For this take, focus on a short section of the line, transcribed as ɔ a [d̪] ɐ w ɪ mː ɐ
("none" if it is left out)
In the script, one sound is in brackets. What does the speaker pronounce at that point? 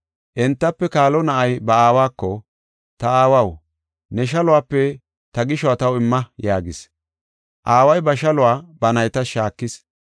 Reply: t̪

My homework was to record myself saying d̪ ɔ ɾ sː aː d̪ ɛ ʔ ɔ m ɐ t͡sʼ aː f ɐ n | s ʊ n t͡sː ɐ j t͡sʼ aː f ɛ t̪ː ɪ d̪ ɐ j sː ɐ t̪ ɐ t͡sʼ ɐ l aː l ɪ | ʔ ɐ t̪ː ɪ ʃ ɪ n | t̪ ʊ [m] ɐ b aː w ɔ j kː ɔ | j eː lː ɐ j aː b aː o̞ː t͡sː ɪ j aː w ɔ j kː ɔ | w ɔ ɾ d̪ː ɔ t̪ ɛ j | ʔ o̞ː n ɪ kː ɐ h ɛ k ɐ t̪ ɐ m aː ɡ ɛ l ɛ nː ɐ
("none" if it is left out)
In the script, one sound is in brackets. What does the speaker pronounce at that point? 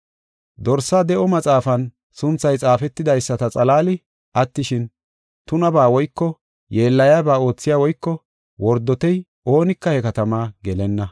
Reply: n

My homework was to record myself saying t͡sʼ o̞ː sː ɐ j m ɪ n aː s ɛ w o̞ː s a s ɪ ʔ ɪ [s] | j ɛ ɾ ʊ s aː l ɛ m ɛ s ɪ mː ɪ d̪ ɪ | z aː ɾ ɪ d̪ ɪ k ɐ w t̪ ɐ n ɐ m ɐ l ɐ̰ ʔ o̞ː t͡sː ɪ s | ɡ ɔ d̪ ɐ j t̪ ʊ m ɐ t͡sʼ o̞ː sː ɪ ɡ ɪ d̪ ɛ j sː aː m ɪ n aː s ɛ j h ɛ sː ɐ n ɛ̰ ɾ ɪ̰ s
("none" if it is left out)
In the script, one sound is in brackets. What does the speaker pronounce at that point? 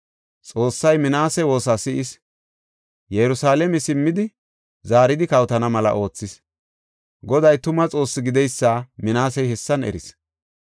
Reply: s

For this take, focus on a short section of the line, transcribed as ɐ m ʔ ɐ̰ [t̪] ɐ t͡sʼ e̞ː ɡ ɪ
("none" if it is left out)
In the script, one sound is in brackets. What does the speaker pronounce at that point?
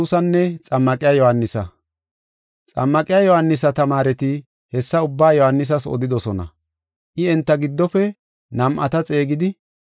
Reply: t̪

